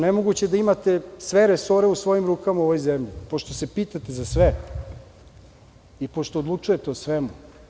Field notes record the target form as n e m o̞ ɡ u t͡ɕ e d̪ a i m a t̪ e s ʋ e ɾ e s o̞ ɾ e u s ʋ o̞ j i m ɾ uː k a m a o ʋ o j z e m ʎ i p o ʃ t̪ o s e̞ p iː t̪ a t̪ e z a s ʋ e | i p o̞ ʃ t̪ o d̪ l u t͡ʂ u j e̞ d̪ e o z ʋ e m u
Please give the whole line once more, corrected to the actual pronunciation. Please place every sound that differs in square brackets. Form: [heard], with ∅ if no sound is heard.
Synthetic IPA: n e m o̞ ɡ u t͡ɕ e d̪ a i m a t̪ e s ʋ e ɾ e s o̞ ɾ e u s ʋ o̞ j i m ɾ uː k a m a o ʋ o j z e m ʎ i p o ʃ t̪ o s e̞ p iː t̪ a t̪ e z a s ʋ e | i p o̞ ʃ t̪ o d̪ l u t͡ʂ u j e̞ [t̪] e o [s] ʋ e m u